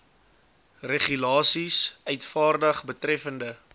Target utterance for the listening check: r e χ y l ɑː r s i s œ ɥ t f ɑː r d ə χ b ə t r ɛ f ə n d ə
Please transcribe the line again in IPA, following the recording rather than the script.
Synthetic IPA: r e χ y l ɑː s i s œ ɥ t f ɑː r d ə χ b ə t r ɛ f ə n d ə